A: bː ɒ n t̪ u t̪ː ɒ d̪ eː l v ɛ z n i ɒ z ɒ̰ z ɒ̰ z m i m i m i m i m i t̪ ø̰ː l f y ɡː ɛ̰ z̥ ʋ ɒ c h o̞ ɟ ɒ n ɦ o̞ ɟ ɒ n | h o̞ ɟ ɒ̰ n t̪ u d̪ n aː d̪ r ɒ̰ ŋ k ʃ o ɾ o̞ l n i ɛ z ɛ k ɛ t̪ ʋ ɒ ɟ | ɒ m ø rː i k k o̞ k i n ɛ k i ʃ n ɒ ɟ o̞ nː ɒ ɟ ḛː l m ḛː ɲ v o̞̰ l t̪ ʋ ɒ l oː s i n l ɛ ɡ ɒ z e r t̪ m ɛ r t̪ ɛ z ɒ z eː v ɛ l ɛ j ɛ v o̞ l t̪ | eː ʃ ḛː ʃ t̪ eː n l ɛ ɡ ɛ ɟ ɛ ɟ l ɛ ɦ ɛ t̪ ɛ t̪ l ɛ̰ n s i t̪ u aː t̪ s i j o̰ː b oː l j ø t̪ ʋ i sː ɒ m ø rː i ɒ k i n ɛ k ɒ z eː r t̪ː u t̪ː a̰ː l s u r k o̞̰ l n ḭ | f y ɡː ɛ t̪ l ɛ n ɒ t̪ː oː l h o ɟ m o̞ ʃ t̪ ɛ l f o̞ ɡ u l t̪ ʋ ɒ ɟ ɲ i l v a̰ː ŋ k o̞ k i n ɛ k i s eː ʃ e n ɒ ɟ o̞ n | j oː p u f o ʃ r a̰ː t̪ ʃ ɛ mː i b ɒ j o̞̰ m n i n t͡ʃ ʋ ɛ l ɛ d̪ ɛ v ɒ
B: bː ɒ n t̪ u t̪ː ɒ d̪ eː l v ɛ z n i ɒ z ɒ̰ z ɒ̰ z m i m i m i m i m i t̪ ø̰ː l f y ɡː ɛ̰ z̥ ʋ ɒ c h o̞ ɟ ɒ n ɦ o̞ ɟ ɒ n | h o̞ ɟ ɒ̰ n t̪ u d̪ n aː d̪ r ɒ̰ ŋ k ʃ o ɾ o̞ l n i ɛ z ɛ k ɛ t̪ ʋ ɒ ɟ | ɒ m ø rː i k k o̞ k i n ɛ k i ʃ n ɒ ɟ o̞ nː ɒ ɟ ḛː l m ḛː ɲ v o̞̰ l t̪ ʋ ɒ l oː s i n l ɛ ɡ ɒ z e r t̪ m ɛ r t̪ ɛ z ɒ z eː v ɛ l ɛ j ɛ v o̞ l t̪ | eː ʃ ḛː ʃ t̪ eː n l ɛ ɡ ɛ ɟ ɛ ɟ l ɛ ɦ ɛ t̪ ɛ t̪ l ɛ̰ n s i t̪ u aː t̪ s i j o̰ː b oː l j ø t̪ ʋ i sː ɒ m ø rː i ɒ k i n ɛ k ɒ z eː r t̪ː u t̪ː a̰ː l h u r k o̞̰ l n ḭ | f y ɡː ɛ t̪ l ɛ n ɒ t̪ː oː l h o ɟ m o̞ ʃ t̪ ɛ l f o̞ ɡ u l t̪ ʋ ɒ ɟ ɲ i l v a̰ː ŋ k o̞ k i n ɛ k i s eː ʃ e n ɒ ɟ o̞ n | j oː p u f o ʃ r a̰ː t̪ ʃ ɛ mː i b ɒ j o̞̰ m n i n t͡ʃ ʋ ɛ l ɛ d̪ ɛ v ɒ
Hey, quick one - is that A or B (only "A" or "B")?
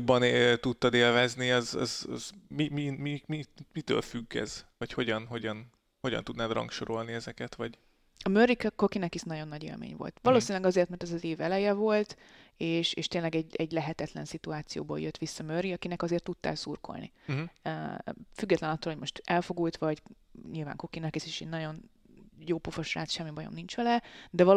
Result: A